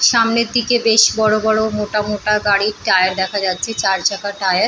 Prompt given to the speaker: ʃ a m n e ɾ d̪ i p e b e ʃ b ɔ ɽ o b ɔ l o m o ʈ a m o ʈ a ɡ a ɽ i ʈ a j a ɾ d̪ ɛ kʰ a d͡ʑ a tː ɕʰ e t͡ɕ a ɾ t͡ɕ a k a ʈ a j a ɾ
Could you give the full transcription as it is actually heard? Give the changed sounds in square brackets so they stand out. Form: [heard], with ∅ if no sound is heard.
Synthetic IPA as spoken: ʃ a m n e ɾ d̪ i [k] e b e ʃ b ɔ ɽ o b ɔ [ɽ] o m o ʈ a m o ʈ a ɡ a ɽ i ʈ a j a ɾ d̪ ɛ kʰ a d͡ʑ a tː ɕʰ e t͡ɕ a ɾ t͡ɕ a k a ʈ a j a ɾ